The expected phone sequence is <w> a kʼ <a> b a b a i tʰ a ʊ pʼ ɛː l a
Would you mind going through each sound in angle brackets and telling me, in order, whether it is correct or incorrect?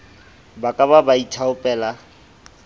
incorrect: b, correct

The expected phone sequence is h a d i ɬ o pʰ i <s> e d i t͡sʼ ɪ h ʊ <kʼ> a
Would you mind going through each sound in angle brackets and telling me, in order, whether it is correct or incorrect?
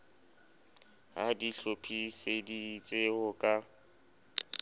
correct, correct

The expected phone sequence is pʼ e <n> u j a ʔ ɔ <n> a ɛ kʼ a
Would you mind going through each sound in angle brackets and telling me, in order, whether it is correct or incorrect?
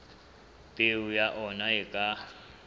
incorrect: none, correct

